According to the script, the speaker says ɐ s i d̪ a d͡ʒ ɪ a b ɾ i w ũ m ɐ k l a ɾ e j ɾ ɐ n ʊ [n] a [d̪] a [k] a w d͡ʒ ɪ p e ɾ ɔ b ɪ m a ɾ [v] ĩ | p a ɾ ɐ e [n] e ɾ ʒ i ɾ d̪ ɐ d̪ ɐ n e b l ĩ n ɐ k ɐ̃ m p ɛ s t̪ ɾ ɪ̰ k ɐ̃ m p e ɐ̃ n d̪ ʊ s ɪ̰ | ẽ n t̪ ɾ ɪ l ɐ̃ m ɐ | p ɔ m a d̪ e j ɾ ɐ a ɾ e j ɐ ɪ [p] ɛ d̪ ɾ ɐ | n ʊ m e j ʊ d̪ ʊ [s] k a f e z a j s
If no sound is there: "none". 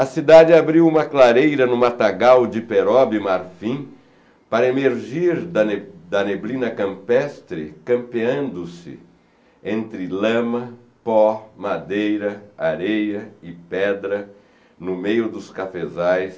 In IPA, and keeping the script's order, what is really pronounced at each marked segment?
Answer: m, t̪, ɡ, f, m, p, s

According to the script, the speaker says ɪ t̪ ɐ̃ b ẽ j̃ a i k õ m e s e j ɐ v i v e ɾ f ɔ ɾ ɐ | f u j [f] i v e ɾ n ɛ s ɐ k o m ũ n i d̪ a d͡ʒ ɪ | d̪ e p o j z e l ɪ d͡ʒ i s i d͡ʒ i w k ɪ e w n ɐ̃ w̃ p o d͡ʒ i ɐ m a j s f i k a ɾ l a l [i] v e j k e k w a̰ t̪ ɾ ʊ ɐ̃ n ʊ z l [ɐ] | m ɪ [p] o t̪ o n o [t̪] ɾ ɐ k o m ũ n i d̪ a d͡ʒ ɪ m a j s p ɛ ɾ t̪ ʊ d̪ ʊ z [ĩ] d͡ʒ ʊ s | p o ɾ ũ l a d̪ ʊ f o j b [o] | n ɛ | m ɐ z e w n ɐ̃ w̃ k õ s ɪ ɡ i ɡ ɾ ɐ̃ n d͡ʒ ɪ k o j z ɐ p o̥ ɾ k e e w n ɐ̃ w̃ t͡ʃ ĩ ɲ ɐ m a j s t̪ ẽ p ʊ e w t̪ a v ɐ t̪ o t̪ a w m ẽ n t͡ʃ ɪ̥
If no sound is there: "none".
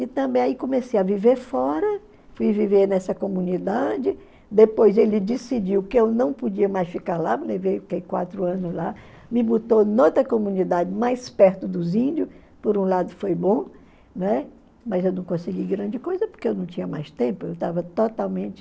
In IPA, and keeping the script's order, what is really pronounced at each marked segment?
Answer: v, e, a, b, t̪, ĩ, õ

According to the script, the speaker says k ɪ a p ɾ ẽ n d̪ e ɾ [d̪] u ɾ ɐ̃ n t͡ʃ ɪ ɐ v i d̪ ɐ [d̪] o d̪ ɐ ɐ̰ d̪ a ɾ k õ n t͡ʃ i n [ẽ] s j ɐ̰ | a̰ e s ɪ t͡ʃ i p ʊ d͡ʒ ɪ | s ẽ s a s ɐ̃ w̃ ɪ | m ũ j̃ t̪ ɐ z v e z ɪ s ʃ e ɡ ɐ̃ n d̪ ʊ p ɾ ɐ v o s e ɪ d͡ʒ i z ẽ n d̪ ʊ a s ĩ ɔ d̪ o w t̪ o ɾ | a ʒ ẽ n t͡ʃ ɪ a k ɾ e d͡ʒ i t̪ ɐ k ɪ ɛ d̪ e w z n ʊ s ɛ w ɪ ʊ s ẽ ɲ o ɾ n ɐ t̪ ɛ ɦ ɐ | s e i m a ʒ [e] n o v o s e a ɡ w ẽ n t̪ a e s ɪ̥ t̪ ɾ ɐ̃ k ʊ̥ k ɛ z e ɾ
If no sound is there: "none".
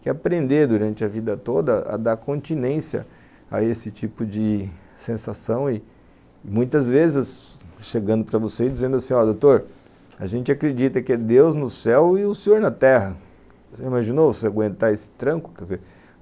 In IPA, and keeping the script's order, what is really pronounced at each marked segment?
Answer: d̪, t̪, ẽ, i

